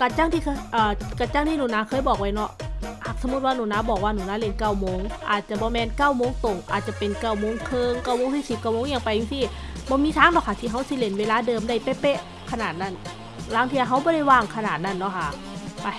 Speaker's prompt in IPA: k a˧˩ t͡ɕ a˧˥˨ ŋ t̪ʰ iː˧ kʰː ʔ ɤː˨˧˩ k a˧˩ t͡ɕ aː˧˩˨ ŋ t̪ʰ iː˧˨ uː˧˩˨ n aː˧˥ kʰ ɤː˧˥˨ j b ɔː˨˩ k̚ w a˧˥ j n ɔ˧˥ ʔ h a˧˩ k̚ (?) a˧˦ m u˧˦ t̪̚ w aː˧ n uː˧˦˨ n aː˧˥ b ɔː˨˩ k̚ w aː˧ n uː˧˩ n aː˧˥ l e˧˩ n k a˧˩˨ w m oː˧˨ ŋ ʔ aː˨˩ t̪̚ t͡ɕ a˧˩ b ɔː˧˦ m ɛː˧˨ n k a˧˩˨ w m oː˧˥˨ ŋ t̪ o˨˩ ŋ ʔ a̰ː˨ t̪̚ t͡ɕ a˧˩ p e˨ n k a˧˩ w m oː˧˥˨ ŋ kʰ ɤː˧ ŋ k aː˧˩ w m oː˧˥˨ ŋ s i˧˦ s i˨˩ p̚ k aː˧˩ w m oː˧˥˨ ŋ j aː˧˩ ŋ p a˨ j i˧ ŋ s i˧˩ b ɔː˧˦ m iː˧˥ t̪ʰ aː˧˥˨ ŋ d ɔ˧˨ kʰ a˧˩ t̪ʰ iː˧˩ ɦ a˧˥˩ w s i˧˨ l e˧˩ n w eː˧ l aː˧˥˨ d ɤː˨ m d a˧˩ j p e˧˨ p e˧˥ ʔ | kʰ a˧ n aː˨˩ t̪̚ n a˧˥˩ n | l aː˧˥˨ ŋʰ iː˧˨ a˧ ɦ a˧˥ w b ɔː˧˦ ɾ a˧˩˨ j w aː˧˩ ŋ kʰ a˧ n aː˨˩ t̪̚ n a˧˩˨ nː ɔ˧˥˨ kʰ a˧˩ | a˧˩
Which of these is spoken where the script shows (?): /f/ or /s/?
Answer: s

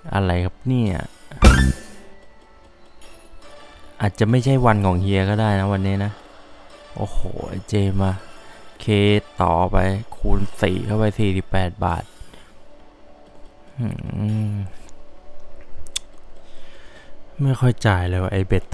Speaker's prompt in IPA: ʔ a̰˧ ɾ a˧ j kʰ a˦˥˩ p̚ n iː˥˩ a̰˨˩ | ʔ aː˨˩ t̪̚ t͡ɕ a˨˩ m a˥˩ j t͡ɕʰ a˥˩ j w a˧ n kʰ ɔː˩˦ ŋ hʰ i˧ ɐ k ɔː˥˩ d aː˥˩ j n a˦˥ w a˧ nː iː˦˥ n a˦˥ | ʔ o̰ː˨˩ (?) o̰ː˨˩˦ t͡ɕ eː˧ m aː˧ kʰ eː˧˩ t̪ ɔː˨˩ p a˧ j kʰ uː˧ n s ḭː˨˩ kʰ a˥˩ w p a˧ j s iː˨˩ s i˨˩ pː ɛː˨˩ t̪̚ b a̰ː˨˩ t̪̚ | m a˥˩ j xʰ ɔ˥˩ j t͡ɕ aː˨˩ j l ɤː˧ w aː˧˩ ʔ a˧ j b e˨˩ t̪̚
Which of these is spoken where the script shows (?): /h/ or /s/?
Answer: h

